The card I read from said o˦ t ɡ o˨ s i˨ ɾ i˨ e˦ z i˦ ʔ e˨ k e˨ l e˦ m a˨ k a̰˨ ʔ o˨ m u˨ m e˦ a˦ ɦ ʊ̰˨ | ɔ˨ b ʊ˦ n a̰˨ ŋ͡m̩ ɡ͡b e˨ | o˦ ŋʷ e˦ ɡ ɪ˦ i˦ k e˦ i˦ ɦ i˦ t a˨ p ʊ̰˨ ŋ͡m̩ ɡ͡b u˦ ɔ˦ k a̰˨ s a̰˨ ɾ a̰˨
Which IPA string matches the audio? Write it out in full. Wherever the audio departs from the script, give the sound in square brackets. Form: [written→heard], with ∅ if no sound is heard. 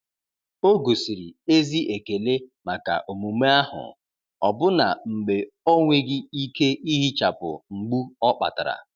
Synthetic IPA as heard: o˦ [t→∅] ɡ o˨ s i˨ ɾ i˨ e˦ z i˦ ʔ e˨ k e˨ l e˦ m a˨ k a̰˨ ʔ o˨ m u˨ m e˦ a˦ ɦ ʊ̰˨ | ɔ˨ b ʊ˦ n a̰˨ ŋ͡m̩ ɡ͡b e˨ | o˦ ŋʷ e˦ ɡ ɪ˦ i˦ k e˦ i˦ ɦ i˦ [t→t͡ʃ] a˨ p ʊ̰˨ ŋ͡m̩ ɡ͡b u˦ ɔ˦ [k→k͡p] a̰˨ [s→t] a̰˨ ɾ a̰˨